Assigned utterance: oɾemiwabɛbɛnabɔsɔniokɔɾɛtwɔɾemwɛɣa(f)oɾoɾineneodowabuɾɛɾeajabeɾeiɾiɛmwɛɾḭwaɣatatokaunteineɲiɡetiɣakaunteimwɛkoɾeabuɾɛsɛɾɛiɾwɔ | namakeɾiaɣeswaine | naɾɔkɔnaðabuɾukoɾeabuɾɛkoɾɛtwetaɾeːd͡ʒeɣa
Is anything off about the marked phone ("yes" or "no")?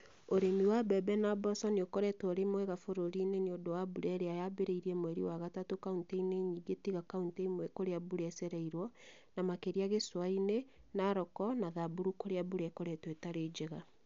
no